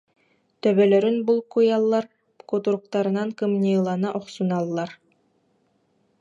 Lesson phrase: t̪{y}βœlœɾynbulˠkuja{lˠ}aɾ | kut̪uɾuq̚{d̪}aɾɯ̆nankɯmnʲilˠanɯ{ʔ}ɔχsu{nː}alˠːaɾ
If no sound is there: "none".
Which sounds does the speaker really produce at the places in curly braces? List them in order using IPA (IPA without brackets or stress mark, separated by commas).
œ, lˠː, t̪, ʔ, n